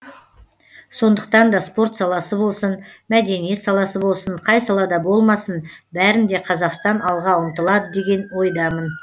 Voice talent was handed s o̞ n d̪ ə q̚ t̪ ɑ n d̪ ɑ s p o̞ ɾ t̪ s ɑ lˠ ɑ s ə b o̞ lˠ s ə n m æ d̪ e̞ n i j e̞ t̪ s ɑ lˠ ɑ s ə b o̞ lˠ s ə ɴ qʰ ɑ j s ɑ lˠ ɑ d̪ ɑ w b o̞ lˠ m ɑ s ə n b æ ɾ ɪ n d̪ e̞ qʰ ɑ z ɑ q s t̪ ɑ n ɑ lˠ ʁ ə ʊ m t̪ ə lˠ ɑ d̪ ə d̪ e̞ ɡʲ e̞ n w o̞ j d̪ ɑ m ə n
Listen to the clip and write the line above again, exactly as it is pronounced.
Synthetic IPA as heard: s o̞ n d̪ ə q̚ t̪ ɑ n d̪ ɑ s p o̞ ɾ t̪ s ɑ lˠ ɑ s ə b o̞ lˠ s ə n m æ d̪ e̞ n i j e̞ t̪ s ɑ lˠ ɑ s ə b o̞ lˠ s ə ɴ qʰ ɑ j s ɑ lˠ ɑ d̪ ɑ b o̞ lˠ m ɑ s ə n b æ ɾ ɪ n d̪ e̞ qʰ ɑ z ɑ q s t̪ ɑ n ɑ lˠ ʁ ɑ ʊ m t̪ ə lˠ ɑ d̪ ə d̪ e̞ ɡʲ e̞ n w o̞ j d̪ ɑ m ə n